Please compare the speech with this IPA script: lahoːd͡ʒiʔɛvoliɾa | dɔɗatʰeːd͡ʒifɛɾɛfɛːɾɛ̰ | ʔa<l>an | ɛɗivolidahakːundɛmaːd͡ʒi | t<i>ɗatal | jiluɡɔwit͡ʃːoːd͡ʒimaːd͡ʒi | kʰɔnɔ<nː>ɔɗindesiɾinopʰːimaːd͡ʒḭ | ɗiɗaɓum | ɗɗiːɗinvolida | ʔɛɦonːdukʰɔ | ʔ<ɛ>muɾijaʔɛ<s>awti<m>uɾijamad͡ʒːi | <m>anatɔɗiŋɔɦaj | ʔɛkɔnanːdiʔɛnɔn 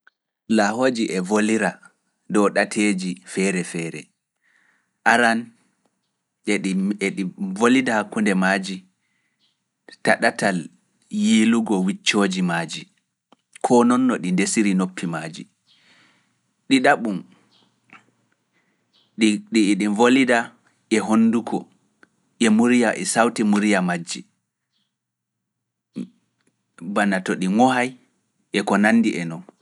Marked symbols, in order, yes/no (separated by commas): no, no, yes, yes, yes, yes, no